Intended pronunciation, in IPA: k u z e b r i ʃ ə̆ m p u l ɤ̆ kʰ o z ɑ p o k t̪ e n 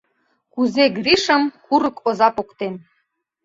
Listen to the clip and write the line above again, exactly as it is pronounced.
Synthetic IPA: k u z e ɡ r i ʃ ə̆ m k u ɾ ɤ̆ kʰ o z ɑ p o k t̪ e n